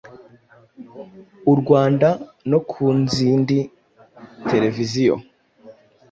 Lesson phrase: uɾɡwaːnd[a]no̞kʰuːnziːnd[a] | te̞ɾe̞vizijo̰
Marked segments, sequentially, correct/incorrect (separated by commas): correct, incorrect